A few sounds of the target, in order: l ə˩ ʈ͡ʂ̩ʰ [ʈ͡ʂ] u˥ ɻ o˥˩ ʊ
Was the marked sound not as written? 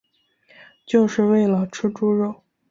no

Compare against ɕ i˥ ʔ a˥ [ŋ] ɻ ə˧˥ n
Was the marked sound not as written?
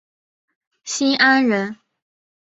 yes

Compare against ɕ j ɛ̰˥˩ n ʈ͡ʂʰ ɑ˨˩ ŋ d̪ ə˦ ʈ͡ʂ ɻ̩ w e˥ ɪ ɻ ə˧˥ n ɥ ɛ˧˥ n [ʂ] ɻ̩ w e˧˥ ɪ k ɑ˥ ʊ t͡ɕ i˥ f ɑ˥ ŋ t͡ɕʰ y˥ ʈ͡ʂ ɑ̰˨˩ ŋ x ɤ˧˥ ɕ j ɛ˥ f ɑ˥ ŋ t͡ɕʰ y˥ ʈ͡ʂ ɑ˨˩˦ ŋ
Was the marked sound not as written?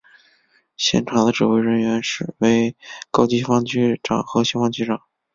no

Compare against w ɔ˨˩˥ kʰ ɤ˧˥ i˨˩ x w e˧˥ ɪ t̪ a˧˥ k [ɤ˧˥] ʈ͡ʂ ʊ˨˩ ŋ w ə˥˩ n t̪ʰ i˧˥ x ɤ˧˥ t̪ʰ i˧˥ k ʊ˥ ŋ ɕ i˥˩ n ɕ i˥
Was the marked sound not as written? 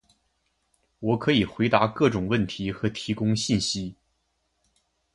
yes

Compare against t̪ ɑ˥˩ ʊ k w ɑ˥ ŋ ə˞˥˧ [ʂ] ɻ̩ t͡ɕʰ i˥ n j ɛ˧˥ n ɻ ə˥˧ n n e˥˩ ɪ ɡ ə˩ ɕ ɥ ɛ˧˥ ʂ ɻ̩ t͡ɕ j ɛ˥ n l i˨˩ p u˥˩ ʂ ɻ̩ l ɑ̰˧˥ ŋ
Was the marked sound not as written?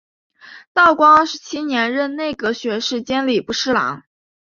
no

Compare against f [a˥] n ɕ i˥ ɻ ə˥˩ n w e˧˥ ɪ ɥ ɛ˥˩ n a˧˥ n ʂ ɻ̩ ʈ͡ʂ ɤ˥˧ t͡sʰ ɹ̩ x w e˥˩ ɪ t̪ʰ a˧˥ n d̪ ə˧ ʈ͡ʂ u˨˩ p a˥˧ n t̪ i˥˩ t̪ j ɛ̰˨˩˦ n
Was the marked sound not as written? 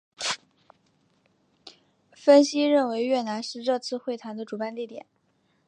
yes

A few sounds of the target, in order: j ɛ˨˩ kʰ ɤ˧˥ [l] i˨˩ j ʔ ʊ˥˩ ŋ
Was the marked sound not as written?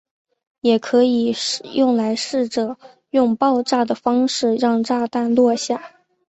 yes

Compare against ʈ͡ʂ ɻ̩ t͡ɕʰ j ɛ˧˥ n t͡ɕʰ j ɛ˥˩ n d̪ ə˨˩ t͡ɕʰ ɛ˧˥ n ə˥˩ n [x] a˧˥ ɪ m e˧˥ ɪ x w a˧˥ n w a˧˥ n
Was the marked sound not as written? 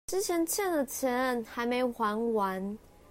no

